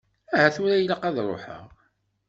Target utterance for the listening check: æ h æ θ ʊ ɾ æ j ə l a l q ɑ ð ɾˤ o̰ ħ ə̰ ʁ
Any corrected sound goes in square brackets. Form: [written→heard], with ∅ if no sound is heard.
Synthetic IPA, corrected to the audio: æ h æ θ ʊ ɾ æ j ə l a [l→∅] q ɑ ð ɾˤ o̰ ħ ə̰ ʁ